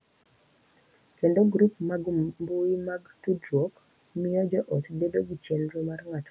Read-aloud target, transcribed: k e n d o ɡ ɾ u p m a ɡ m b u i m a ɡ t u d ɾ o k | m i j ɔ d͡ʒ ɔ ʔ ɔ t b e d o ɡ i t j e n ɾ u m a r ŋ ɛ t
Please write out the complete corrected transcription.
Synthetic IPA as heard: k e n d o ɡ ɾ u p m a ɡ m b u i m a ɡ t u d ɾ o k | m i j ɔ d͡ʒ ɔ ʔ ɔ t b e d o ɡ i t͡ʃ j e n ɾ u m a r ŋ a t